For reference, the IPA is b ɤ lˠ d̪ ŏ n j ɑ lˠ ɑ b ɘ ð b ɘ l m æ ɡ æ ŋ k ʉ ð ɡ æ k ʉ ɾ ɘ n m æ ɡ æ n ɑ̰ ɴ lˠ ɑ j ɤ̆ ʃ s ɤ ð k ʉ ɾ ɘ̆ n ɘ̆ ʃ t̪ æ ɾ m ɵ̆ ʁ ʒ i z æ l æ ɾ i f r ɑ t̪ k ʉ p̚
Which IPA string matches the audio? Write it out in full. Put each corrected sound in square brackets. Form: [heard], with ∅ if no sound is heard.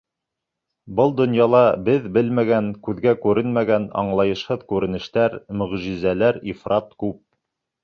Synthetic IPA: b ɤ lˠ d̪ ŏ n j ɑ lˠ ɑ b ɘ ð b ɘ l m æ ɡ æ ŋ k ʉ ð ɡ æ k ʉ ɾ ɘ n m æ ɡ æ n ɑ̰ ɴ lˠ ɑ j ɤ̆ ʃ [h] ɤ ð k ʉ ɾ ɘ̆ n ɘ̆ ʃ t̪ æ ɾ m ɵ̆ ʁ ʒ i z æ l æ ɾ i f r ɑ t̪ k ʉ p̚